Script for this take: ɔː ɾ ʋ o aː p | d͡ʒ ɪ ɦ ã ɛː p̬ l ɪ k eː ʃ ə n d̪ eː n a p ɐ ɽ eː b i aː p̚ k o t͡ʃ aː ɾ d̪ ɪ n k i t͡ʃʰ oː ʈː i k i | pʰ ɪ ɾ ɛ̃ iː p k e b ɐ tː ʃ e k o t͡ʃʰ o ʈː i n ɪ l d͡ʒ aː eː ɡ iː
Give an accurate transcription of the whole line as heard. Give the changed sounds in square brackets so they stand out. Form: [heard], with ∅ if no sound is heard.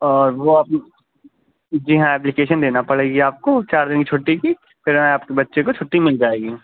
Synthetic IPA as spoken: ɔː ɾ ʋ o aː p | d͡ʒ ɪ ɦ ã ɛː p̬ l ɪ k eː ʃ ə n d̪ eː n a p ɐ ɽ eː [ɡ] i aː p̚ k o t͡ʃ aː ɾ d̪ ɪ n k i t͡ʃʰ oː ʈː i k i | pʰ ɪ ɾ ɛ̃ [aː] p k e b ɐ tː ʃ e k o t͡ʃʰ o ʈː i [m] ɪ l d͡ʒ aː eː ɡ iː

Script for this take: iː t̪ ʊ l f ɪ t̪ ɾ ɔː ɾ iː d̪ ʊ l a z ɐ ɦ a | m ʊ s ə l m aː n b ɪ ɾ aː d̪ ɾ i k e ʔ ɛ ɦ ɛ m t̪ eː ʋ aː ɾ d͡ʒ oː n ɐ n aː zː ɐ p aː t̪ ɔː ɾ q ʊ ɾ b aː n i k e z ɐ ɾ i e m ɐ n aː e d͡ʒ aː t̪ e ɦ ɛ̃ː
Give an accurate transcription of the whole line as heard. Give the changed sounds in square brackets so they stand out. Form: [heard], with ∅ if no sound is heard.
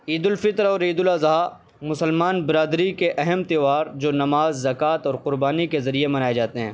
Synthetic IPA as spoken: iː [d̪] ʊ l f ɪ t̪ ɾ ɔː ɾ iː d̪ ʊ l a z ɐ ɦ a | m ʊ s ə l m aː n b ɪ ɾ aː d̪ ɾ i k e ʔ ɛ ɦ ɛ m t̪ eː ʋ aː ɾ d͡ʒ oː n ɐ [m] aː zː ɐ [k] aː t̪ ɔː ɾ q ʊ ɾ b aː n i k e z ɐ ɾ i e m ɐ n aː e d͡ʒ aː t̪ e ɦ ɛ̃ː

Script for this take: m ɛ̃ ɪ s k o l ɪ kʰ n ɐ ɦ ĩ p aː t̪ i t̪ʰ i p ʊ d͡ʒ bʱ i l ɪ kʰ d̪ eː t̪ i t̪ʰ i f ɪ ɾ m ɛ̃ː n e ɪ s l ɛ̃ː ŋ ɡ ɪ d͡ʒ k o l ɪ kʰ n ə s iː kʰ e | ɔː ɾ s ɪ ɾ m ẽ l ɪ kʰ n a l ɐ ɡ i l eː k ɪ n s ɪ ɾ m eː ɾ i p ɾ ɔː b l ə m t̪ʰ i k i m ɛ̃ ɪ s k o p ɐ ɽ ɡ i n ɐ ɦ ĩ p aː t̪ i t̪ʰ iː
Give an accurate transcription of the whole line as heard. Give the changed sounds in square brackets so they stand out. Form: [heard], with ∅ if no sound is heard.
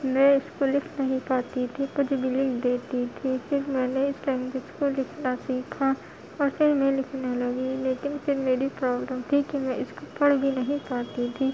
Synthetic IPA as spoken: m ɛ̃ ɪ s k o l ɪ kʰ n ɐ ɦ ĩ p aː t̪ i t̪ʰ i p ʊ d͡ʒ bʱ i l ɪ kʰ d̪ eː t̪ i t̪ʰ i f ɪ ɾ m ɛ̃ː n e ɪ s l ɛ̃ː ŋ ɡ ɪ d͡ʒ k o l ɪ kʰ n [a] s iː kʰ [a] | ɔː ɾ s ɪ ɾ m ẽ l ɪ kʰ n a l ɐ ɡ i l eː k ɪ n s ɪ ɾ m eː ɾ i p ɾ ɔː b l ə m t̪ʰ i k i m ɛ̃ ɪ s k o p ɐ ɽ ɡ i n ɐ ɦ ĩ p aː t̪ i t̪ʰ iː

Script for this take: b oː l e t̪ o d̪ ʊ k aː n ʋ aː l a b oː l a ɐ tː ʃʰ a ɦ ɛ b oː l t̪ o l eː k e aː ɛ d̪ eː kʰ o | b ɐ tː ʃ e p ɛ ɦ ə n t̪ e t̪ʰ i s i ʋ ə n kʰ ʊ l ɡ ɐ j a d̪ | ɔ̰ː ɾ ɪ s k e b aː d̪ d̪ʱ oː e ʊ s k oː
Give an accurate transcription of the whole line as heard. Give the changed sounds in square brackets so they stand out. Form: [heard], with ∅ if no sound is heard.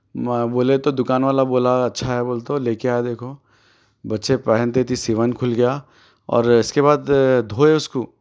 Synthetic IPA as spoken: b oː l e t̪ o d̪ ʊ k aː n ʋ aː l a b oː l a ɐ tː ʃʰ a ɦ ɛ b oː l t̪ o l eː k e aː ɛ d̪ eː kʰ o | b ɐ tː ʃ e p ɛ ɦ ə n t̪ e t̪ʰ i s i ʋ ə n kʰ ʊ l ɡ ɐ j a [∅] | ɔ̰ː ɾ ɪ s k e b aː d̪ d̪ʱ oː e ʊ s k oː

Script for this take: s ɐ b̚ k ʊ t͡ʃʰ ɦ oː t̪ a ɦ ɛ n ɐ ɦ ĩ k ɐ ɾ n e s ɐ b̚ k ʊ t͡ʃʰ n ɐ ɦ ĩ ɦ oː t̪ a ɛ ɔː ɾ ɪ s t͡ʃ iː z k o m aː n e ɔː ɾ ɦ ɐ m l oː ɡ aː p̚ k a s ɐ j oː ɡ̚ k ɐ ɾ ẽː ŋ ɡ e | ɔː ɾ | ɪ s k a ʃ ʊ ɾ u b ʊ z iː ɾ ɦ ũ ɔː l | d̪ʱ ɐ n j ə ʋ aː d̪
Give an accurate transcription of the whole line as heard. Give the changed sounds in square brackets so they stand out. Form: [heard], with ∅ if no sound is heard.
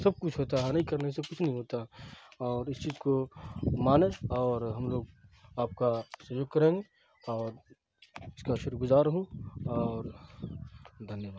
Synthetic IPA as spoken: s ɐ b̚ k ʊ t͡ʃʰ ɦ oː t̪ a ɦ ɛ n ɐ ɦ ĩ k ɐ ɾ n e s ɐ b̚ k ʊ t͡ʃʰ n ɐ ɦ ĩ ɦ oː t̪ a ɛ ɔː ɾ ɪ s t͡ʃ iː z k o m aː n e ɔː ɾ ɦ ɐ m l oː ɡ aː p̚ k a s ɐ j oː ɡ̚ k ɐ ɾ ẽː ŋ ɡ e | ɔː ɾ | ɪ s k a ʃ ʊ ɾ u [ɡ] ʊ z [aː] ɾ ɦ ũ ɔː [ɾ] | d̪ʱ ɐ n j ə ʋ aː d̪

